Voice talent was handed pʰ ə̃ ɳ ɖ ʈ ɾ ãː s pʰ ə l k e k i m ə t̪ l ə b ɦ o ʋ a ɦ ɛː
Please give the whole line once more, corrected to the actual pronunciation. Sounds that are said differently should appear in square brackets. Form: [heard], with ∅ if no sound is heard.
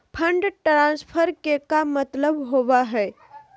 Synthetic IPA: pʰ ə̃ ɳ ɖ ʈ ɾ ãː s pʰ ə [ɾ] k e k [a] m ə t̪ l ə b ɦ o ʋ a ɦ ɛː